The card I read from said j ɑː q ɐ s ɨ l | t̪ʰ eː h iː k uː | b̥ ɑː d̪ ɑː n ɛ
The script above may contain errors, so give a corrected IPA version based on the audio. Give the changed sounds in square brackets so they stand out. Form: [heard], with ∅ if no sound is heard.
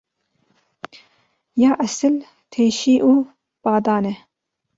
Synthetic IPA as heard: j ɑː [ʔ] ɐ s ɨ l | t̪ʰ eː [ʃ] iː [ʔ] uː | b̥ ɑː d̪ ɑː n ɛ